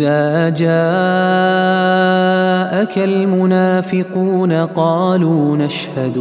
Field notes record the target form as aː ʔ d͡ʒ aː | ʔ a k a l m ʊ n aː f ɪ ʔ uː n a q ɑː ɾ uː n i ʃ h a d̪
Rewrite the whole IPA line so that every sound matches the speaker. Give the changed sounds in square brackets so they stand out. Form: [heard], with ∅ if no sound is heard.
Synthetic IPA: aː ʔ d͡ʒ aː | ʔ a k a l m ʊ n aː f ɪ [q] uː n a q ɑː [l] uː n [a] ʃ h a d̪